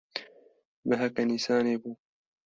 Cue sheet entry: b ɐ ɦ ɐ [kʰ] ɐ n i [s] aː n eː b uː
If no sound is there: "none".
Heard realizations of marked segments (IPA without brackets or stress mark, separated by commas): k, s